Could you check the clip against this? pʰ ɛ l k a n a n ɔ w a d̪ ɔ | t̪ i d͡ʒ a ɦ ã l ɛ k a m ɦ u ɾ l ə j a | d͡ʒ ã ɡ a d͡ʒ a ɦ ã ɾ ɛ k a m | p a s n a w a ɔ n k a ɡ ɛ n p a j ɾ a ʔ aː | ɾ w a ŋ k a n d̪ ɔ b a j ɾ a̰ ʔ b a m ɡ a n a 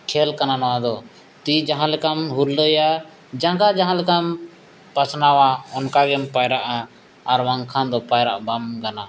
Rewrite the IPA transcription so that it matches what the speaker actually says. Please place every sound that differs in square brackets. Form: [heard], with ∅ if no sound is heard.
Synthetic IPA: [kʰ] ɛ l k a n a n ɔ w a d̪ ɔ | t̪ i d͡ʒ a ɦ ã l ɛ k a m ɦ u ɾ l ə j a | d͡ʒ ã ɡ a d͡ʒ a ɦ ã [l] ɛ k a m | p a s n a w a ɔ n k a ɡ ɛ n p a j ɾ a ʔ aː | ɾ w a ŋ [kʰ] a n d̪ ɔ [p] a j ɾ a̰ ʔ b a m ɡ a n a